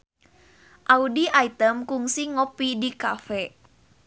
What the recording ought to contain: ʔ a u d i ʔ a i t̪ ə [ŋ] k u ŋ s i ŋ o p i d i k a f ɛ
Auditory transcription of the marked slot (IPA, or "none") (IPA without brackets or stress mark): m